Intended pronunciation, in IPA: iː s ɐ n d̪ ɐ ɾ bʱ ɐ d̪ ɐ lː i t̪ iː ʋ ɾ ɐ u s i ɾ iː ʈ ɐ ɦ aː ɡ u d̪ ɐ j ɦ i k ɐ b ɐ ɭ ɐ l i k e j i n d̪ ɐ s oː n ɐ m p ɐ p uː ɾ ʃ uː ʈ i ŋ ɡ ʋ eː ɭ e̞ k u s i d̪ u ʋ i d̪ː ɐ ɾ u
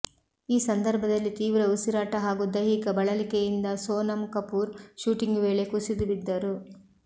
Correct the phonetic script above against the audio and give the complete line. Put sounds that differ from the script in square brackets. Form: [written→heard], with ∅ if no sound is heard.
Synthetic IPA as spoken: iː s ɐ n d̪ ɐ ɾ bʱ ɐ d̪ ɐ lː i t̪ iː ʋ ɾ ɐ u s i ɾ [iː→aː] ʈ ɐ ɦ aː ɡ u d̪ ɐ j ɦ i k ɐ b ɐ ɭ ɐ l i k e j i n d̪ ɐ s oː n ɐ m [p→k] ɐ p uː ɾ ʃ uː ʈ i ŋ ɡ ʋ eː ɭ e̞ k u s i d̪ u ʋ i d̪ː ɐ ɾ u